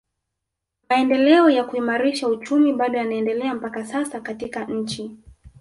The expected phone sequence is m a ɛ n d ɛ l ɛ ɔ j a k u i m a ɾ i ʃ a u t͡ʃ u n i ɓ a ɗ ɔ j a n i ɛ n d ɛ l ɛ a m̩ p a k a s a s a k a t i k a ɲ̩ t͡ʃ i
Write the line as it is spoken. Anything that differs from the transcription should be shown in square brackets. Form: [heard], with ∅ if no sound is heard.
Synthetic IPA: m a ɛ n d ɛ l ɛ ɔ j a k u i m a ɾ i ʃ a u t͡ʃ u [m] i ɓ a ɗ ɔ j a n [a] ɛ n d ɛ l ɛ a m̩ p a k a s a s a k a t i k a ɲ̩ t͡ʃ i